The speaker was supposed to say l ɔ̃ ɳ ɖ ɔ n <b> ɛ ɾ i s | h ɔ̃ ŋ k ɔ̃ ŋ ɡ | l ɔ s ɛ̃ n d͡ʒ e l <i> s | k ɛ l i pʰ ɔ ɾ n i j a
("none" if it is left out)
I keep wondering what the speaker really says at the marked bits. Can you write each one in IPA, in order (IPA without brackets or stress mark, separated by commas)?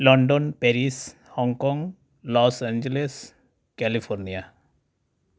p, e